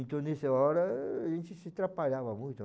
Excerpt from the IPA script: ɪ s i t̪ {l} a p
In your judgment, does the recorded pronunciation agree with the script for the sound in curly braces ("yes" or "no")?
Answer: no